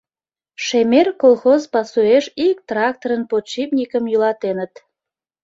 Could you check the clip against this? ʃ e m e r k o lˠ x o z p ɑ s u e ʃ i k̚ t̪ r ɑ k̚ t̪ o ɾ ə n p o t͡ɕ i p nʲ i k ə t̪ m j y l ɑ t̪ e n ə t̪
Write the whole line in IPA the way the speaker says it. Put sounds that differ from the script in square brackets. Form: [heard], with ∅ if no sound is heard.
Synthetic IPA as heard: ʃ e m e r k o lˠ x o z p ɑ s u e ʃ i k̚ t̪ r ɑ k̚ t̪ o ɾ ə n p o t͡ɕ i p nʲ i k ə [∅] m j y l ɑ t̪ e n ə t̪